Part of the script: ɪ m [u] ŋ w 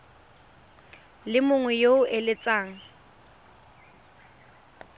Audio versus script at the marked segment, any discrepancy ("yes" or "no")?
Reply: yes